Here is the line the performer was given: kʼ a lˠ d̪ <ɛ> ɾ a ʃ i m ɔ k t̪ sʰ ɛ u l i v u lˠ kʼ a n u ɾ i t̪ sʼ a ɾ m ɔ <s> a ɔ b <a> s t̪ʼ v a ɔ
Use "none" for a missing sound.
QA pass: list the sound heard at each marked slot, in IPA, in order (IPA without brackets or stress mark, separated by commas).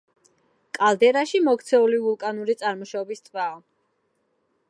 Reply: ɛ, ʃ, i